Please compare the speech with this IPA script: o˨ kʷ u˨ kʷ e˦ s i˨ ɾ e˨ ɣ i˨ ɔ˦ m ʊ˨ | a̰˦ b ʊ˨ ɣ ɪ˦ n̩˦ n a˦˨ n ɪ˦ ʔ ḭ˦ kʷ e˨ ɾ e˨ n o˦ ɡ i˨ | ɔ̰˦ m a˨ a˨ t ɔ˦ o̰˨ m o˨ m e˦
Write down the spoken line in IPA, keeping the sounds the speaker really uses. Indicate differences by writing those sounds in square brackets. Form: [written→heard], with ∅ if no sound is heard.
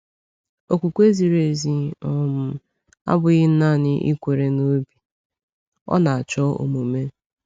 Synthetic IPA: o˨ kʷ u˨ kʷ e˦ [s→z] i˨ ɾ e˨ [ɣ→z] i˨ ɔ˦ m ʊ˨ | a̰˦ b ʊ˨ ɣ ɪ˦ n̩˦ n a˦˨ n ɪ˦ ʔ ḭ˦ kʷ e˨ ɾ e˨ n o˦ [ɡ→b] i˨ | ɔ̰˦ [m→n] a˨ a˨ [t→t͡ʃ] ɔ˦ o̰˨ m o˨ m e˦